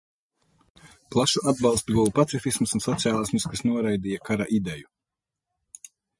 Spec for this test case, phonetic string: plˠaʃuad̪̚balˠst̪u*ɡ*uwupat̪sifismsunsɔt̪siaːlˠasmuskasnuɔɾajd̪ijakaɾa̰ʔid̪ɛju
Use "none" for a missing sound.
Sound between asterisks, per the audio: ɡ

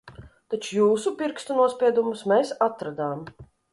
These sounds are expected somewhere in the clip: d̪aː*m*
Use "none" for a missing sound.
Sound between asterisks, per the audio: m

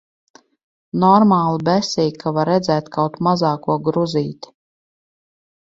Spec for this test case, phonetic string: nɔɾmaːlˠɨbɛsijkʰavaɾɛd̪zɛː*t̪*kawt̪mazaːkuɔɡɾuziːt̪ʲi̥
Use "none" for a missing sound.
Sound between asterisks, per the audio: t̪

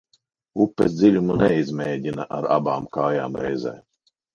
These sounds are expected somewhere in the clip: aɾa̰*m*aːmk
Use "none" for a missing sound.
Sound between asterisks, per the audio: b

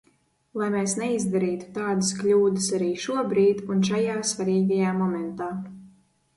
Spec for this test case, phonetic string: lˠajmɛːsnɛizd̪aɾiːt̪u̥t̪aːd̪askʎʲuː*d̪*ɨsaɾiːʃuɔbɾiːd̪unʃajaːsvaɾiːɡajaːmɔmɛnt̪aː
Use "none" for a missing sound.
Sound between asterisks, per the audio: d̪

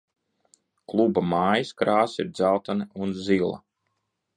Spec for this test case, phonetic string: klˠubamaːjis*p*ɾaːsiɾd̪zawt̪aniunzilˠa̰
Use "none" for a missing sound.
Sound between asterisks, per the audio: k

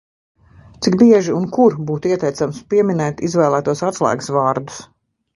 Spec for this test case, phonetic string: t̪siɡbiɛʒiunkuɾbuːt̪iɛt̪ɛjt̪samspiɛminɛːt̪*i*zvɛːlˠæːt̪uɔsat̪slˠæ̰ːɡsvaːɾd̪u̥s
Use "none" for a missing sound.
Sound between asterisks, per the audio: i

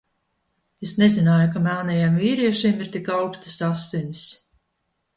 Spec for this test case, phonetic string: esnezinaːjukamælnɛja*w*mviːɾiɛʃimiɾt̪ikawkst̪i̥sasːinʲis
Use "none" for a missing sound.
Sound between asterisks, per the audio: none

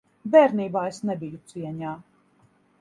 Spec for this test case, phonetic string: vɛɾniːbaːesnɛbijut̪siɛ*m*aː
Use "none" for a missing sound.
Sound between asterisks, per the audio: ɲ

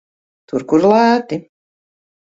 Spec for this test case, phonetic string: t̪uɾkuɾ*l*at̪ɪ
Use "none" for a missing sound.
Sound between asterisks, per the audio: l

